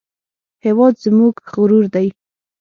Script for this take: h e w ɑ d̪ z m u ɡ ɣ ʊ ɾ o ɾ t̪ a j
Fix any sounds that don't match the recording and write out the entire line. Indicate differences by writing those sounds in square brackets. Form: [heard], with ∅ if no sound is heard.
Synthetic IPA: h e w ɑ d̪ z m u ɡ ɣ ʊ ɾ [u] ɾ [d̪] a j